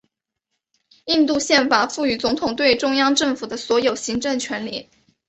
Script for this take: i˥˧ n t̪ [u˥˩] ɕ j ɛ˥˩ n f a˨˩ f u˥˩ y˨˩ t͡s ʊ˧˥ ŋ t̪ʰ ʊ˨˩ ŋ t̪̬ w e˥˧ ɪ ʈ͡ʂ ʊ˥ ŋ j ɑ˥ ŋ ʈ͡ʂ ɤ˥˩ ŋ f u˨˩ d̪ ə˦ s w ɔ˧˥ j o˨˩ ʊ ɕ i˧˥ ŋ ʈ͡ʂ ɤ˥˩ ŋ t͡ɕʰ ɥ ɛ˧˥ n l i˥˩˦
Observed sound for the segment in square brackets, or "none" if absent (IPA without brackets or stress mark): u˥˧